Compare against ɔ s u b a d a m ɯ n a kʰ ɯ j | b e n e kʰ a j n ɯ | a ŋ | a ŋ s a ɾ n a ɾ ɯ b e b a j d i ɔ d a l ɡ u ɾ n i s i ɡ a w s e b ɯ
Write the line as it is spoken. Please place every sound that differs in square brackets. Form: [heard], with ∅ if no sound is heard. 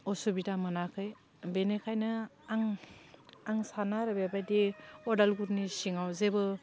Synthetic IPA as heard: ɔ s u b [i] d a m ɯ n a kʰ ɯ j | b e n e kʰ a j n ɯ | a ŋ | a ŋ s a [∅] n a ɾ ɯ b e b a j d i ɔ d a l ɡ u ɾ n i s i [ŋ] a w [z] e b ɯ